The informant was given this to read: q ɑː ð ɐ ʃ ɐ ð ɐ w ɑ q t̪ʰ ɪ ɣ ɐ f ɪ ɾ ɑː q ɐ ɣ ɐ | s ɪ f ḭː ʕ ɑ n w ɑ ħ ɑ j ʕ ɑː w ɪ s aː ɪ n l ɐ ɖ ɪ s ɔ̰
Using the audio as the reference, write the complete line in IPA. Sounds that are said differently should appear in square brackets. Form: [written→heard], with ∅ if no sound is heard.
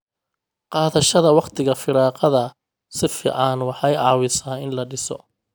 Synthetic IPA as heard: q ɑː ð ɐ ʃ ɐ ð ɐ w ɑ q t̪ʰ ɪ ɣ ɐ f ɪ ɾ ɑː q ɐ [ɣ→ð] ɐ | s ɪ f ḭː ʕ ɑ n w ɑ ħ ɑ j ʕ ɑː w ɪ s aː ɪ n l ɐ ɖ ɪ s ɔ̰